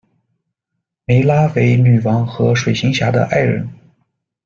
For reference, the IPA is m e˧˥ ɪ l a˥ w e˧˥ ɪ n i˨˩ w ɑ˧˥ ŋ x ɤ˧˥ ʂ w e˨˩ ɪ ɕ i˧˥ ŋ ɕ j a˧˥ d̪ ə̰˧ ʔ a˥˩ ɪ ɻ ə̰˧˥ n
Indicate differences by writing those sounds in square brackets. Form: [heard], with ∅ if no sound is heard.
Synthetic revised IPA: m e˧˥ ɪ l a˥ w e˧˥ ɪ n [y˨˩] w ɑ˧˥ ŋ x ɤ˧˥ ʂ w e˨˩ ɪ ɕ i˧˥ ŋ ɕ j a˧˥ d̪ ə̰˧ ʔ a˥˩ ɪ ɻ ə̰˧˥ n